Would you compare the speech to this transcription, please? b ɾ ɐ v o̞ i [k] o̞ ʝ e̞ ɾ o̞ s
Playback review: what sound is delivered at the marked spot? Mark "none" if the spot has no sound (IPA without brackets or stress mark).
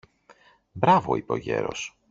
p